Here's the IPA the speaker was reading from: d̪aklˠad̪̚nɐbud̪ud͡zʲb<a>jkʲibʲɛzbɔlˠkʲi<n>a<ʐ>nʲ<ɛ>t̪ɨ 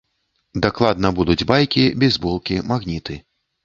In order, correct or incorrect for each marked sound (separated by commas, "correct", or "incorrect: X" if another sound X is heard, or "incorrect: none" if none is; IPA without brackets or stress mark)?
correct, incorrect: m, incorrect: ɣ, incorrect: i